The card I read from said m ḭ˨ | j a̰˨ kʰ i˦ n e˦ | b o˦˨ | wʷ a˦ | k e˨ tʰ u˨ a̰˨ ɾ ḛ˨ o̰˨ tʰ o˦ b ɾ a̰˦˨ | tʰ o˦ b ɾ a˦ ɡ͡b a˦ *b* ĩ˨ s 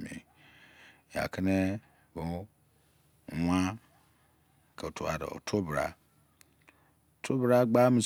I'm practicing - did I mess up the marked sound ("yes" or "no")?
yes